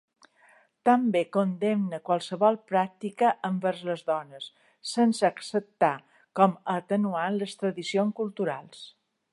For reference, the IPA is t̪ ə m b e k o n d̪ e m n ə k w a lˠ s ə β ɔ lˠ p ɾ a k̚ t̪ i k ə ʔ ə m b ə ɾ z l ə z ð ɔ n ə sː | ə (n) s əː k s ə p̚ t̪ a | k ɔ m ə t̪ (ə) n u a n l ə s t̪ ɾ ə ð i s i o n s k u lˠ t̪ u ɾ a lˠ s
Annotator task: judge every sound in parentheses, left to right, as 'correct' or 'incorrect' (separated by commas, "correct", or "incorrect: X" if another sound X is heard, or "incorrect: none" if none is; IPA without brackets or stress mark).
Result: correct, correct